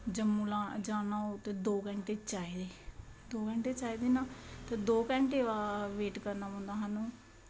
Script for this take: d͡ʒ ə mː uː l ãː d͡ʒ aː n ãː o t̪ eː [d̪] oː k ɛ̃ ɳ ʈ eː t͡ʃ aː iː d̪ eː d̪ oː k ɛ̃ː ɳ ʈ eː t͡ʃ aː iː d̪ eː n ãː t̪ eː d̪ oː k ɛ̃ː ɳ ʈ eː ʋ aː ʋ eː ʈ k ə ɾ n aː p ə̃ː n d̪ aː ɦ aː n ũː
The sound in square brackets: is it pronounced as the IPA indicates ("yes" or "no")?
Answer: yes